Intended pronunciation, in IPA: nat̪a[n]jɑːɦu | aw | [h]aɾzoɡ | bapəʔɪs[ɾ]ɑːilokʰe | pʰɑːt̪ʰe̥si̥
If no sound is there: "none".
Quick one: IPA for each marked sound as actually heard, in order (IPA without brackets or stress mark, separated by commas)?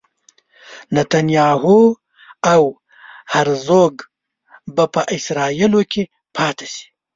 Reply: n, h, ɾ